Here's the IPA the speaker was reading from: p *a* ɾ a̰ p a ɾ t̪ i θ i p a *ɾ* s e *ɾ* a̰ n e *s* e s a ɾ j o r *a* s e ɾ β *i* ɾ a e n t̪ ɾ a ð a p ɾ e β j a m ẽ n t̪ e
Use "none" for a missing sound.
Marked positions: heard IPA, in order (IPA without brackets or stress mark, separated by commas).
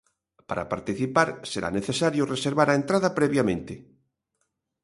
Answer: a, ɾ, ɾ, θ, e, a